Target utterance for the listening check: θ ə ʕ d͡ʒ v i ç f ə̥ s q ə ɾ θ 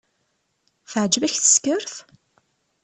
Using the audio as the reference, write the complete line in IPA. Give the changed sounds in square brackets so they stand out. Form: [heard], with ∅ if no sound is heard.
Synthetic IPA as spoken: θ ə ʕ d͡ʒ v [æ] ç [θ] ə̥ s [k] ə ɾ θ